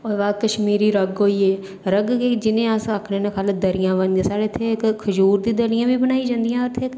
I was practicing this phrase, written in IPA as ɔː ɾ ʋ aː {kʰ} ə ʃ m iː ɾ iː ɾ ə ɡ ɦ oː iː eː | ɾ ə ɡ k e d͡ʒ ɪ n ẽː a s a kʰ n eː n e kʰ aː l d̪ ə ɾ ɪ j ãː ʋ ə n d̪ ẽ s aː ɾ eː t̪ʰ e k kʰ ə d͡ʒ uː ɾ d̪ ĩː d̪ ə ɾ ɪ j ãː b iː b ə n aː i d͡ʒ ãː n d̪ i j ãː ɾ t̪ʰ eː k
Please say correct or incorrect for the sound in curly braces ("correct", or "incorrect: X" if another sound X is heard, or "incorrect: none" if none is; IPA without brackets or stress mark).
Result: incorrect: k